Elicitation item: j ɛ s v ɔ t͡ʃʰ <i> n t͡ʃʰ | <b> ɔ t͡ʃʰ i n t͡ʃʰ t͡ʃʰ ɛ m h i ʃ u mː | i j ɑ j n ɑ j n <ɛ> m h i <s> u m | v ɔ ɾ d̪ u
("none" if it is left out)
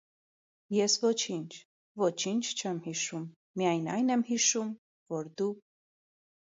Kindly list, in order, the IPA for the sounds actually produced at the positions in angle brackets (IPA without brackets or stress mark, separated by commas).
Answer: i, v, ɛ, ʃ